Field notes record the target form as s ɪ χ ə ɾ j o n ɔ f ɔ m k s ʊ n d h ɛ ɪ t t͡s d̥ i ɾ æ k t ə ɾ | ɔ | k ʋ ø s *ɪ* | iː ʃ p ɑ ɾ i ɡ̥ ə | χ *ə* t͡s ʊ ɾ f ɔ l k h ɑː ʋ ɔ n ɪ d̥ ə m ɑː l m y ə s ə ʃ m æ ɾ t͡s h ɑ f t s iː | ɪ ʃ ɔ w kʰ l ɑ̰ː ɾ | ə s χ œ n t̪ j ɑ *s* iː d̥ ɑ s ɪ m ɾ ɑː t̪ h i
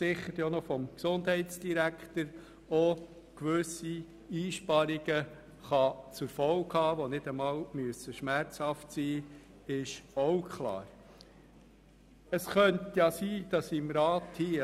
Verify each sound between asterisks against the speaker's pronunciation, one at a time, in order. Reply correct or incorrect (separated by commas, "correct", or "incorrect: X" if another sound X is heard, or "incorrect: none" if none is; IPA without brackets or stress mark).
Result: incorrect: i, incorrect: ɑ, correct